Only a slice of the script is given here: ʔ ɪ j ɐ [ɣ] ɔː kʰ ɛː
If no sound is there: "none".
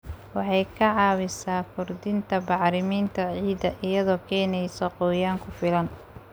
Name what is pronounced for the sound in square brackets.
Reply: ð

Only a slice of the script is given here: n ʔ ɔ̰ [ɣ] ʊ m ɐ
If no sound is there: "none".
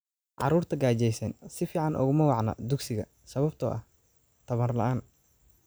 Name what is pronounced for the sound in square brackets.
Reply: ɣ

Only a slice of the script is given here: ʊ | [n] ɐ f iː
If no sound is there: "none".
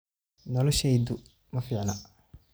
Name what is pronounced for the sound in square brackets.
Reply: m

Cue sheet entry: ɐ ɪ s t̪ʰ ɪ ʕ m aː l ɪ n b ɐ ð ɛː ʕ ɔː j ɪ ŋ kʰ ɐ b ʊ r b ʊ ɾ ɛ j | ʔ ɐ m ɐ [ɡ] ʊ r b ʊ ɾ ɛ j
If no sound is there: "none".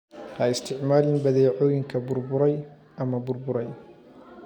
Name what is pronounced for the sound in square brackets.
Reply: b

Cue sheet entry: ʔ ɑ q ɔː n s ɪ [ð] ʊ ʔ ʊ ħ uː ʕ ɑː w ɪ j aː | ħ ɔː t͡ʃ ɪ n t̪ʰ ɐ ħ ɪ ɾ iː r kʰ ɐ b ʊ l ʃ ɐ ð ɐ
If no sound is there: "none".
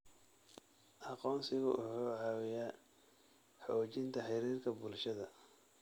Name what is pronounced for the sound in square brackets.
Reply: ɣ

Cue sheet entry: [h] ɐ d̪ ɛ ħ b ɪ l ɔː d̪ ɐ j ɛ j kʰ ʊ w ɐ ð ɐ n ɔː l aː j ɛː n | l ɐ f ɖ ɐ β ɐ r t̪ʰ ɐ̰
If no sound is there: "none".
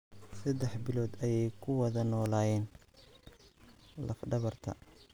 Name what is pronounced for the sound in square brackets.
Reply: s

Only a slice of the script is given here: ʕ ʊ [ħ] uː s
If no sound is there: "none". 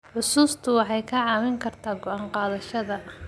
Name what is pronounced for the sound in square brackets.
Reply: s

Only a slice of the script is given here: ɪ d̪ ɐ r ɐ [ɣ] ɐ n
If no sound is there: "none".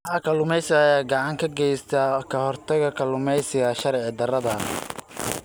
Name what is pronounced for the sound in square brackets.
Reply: ð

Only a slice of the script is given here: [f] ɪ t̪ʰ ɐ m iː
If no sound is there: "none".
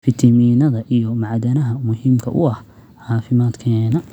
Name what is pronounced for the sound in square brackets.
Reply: f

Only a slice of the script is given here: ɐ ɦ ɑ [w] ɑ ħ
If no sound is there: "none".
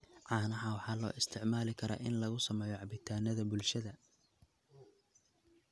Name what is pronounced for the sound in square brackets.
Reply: w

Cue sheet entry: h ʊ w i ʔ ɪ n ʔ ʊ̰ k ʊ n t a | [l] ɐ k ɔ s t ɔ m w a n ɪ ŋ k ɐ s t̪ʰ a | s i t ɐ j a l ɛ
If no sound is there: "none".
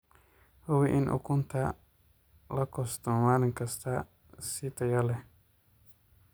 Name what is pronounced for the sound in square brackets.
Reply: l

